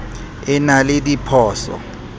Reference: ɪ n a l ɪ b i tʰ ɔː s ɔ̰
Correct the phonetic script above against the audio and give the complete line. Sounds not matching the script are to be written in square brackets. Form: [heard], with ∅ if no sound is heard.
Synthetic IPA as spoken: ɪ n a l ɪ [d] i [pʰ] ɔː s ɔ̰